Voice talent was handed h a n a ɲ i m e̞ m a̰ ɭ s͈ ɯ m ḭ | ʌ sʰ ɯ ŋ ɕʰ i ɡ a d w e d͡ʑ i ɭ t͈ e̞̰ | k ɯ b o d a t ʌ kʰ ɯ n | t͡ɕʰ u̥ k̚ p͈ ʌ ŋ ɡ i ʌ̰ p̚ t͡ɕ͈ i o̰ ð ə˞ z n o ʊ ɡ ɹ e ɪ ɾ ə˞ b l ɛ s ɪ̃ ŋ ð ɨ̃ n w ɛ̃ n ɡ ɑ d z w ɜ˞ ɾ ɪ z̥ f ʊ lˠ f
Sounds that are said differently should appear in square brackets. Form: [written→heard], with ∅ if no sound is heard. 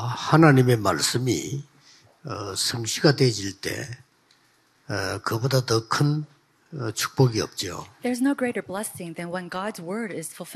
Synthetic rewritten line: h a n a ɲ i m e̞ m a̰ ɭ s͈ ɯ m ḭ | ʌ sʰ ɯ ŋ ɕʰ i ɡ a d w e d͡ʑ i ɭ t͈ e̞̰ | k ɯ b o d a t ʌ kʰ ɯ n | t͡ɕʰ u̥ k̚ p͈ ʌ [ŋ→∅] ɡ i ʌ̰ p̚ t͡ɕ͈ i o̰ ð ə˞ z n o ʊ ɡ ɹ e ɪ ɾ ə˞ b l ɛ s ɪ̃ ŋ ð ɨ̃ n w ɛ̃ n ɡ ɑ d z w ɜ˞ ɾ ɪ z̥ f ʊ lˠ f